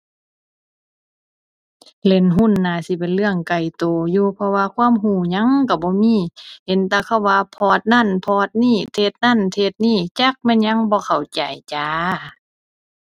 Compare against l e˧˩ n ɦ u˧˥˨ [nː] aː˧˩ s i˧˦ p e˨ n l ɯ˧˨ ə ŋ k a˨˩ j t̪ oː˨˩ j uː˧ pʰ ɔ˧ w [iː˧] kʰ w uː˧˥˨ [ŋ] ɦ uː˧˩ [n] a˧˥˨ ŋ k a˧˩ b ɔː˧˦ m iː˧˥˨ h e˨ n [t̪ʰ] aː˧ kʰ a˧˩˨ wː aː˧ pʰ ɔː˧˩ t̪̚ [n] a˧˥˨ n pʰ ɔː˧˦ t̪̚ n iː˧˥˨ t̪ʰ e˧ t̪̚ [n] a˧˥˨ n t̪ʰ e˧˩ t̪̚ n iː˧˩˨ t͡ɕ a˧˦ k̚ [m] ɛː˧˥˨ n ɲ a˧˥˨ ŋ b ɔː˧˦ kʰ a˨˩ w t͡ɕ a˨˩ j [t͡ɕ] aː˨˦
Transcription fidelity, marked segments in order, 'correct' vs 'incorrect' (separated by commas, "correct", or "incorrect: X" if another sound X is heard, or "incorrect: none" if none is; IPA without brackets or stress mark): correct, incorrect: aː˧, incorrect: m, incorrect: ɲ, incorrect: t̪, correct, correct, correct, correct